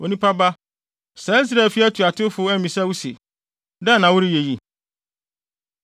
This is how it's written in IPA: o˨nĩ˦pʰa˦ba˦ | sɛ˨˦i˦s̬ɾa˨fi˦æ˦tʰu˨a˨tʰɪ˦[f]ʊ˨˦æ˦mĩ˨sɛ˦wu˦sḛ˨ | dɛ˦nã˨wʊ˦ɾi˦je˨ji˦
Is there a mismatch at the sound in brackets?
no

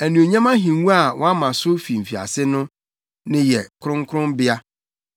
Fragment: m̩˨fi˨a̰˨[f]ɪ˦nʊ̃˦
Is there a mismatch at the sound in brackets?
yes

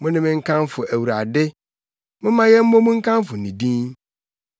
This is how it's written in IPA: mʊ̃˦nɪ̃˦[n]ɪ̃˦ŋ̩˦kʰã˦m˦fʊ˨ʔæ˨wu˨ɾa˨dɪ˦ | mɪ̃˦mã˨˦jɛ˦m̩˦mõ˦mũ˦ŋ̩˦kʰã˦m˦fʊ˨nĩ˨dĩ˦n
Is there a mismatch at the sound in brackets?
yes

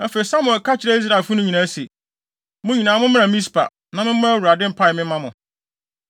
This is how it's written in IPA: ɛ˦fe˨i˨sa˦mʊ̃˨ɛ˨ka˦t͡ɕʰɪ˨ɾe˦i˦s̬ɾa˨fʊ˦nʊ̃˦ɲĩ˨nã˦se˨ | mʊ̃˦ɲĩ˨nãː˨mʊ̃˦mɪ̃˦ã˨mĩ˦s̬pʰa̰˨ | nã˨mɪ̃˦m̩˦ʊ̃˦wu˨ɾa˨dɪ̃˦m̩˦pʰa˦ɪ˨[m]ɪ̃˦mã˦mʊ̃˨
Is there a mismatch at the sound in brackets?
no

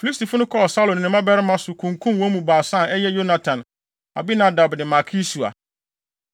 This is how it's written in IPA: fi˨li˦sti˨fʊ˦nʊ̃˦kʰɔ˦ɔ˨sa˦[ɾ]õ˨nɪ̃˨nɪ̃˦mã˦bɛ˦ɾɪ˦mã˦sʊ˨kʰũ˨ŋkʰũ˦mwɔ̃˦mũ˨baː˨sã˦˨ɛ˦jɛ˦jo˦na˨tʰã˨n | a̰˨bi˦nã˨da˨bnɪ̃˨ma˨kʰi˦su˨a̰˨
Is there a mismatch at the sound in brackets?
yes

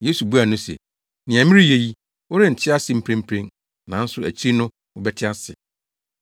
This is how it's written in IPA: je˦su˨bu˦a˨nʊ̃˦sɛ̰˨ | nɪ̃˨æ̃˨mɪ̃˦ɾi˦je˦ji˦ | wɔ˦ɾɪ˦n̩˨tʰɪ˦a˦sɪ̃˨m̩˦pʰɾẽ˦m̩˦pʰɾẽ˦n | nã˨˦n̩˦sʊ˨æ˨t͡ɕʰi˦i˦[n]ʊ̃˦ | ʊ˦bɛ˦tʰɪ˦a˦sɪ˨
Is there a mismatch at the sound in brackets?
no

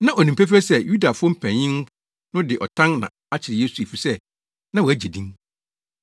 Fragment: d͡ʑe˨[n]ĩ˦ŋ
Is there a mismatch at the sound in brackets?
yes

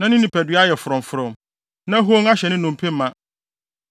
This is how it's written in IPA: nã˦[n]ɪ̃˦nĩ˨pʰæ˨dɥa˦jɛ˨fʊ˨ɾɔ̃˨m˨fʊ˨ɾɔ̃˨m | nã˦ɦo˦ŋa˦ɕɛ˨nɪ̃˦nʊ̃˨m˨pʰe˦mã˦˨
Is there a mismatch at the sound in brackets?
no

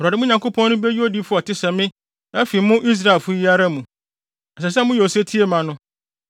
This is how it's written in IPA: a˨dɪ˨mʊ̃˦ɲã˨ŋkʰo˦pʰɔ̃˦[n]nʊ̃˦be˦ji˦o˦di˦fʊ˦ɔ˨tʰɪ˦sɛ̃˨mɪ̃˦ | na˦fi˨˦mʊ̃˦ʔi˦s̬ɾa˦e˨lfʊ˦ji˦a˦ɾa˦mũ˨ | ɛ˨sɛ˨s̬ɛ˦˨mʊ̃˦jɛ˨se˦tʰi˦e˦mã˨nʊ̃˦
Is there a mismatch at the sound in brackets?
no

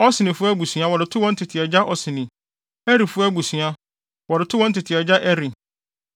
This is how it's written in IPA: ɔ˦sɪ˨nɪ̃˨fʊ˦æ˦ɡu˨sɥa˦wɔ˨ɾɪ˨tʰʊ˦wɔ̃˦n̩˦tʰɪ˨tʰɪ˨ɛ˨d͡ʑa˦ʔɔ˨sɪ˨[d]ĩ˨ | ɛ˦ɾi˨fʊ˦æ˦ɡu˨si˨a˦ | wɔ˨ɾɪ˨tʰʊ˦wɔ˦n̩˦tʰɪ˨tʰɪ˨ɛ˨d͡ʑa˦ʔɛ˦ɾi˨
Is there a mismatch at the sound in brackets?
yes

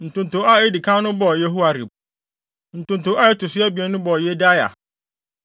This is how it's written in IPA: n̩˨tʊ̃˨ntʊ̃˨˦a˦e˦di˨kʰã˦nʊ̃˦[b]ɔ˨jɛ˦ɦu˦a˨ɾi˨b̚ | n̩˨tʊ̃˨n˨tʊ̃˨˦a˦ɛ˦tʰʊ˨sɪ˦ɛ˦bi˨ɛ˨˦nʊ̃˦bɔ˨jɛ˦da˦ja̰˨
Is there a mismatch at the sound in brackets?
no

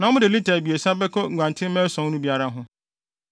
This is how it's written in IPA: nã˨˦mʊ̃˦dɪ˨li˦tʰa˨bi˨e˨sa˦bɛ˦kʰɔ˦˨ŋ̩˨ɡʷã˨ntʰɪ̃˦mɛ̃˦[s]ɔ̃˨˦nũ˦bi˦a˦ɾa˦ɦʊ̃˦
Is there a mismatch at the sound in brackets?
no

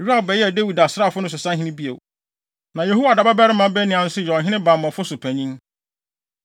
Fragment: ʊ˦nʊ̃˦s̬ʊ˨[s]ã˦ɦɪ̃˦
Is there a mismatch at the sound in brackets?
no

